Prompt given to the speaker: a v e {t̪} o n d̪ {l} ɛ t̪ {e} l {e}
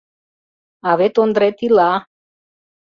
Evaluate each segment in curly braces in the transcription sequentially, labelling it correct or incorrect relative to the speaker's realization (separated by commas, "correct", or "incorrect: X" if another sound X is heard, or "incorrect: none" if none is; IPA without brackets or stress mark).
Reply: correct, incorrect: ɾ, incorrect: i, incorrect: a